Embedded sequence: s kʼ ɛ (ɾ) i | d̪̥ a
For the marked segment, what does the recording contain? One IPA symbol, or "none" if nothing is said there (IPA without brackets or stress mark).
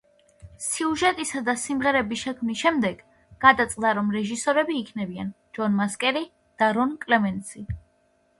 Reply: ɾ